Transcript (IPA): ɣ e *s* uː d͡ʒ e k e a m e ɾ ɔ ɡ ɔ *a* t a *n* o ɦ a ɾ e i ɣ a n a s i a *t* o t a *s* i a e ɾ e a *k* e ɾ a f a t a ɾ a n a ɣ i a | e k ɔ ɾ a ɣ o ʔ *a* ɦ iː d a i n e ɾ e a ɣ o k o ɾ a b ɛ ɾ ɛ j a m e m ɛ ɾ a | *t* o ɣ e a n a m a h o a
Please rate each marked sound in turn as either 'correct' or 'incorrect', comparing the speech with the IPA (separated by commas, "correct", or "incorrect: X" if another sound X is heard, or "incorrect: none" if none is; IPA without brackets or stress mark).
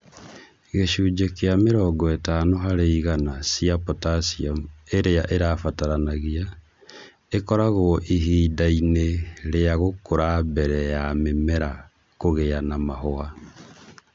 incorrect: ʃ, incorrect: e, correct, incorrect: p, correct, incorrect: ʔ, incorrect: i, incorrect: k